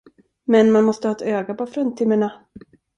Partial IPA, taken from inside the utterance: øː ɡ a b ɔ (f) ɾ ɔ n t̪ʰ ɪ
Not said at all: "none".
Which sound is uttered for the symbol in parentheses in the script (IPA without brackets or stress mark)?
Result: f